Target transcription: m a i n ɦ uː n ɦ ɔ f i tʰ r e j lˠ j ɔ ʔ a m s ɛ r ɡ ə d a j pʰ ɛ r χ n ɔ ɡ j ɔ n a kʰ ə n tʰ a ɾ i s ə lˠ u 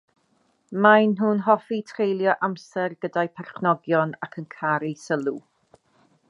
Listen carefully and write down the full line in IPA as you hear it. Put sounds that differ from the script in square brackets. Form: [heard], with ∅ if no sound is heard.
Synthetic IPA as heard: m a [j] n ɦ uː n ɦ ɔ f i tʰ r e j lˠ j ɔ ʔ a m s ɛ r ɡ ə d a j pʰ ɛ r χ n ɔ ɡ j ɔ n a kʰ ə n [kʰ] a ɾ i s ə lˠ u